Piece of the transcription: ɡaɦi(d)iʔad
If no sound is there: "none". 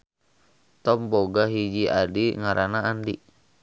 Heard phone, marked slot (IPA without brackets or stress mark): d͡ʒ